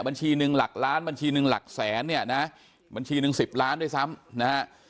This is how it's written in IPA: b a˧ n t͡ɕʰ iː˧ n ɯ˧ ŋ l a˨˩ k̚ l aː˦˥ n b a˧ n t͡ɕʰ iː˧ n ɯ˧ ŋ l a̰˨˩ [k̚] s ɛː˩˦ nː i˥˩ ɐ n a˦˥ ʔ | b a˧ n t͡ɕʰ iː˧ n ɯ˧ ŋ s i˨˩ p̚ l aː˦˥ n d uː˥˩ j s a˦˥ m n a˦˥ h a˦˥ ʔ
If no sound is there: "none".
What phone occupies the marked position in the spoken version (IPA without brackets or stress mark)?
k̚